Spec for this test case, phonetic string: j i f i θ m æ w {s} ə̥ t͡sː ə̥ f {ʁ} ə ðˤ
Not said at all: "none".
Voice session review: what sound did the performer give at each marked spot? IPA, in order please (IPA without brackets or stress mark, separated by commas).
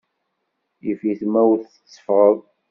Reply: θ, ʁ